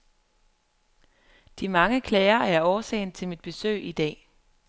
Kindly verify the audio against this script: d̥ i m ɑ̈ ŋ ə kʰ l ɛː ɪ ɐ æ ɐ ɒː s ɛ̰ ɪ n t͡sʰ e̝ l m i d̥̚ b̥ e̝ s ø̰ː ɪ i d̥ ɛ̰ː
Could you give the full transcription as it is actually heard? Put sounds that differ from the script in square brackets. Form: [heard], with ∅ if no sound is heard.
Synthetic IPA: d̥ i m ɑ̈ ŋ ə kʰ l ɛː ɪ ɐ æ ɐ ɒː s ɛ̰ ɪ n t͡sʰ e̝ l m i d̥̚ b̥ e̝ s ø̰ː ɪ i d̥ ɛ̰ː